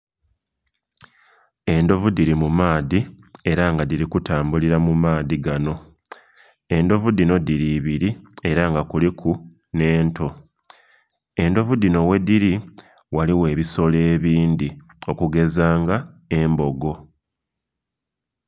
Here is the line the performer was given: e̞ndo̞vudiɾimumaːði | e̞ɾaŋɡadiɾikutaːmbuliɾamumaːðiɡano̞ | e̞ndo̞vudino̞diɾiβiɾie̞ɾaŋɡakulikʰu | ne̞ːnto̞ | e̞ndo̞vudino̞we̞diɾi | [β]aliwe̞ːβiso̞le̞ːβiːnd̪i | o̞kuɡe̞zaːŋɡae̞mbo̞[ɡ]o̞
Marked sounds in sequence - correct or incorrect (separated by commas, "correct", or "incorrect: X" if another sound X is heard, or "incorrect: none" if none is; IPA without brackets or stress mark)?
incorrect: w, correct